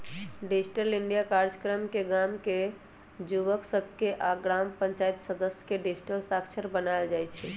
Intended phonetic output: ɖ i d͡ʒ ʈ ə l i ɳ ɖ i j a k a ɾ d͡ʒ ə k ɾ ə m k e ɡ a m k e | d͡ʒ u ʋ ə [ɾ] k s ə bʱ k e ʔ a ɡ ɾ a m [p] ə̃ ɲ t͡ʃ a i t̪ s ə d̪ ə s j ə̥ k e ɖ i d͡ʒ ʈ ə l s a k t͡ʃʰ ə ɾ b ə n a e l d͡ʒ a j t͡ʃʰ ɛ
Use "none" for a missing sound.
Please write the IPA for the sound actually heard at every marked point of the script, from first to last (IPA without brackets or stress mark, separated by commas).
none, p